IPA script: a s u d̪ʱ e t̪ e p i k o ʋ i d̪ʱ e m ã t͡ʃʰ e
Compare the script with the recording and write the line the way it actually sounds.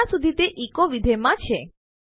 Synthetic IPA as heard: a s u d̪ʱ i t̪ e ʔ i k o ʋ i d̪ʱ e m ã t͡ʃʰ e